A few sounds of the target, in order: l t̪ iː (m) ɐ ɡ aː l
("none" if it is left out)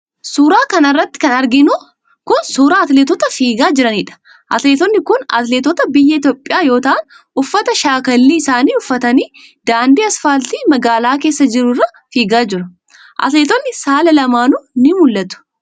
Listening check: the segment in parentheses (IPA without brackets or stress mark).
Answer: m